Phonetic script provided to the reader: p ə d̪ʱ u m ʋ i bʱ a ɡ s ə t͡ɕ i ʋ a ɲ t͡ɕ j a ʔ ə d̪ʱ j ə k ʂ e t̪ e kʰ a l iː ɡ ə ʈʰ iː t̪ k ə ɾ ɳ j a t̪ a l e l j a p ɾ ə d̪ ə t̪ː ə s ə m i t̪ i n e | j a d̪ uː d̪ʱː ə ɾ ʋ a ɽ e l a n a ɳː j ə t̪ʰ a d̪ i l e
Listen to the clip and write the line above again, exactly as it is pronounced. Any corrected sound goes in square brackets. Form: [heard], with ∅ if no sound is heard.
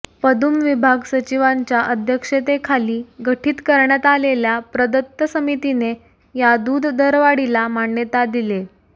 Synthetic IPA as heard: p ə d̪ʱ u m ʋ i bʱ a ɡ s ə t͡ɕ i ʋ a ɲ t͡ɕ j a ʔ ə d̪ʱ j ə k ʂ e t̪ e kʰ a l iː ɡ ə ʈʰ iː t̪ k ə ɾ ɳ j a t̪ a l e l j a p ɾ ə d̪ ə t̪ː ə s ə m i t̪ i n e | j a d̪ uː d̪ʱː ə ɾ ʋ a ɽ [i] l a [m] a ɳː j ə [t̪] a d̪ i l e